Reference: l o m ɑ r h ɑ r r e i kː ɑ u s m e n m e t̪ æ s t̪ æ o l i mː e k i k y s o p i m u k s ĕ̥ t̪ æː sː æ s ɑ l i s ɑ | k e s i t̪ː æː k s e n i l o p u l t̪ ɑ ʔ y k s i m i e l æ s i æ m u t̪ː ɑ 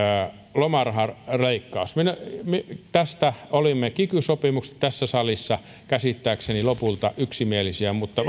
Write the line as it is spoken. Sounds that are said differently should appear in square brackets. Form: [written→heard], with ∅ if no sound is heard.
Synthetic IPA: l o m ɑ r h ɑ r r e i kː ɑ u s m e n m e t̪ æ s t̪ æ o l i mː e k i k y s o p i m u k s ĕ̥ t̪ [æː→æ] sː æ s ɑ l i [s→sː] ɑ | k [e→æ] s i t̪ː æː k s e n i l o p u l t̪ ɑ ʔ y k s i m i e l [æ→i] s i æ m u t̪ː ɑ